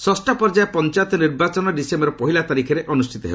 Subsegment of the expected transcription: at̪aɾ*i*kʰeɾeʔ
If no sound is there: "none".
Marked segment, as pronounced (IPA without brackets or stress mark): i